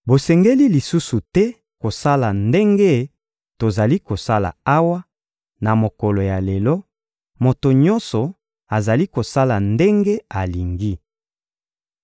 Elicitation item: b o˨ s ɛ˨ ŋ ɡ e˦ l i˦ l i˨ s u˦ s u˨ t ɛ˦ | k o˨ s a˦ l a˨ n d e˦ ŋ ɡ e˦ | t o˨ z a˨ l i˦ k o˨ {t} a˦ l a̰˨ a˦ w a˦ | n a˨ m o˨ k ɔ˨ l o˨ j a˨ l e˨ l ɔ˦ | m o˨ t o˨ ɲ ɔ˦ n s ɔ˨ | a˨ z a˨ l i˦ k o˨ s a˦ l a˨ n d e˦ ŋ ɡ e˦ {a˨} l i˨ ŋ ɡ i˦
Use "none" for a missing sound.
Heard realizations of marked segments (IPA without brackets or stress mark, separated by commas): s, a˨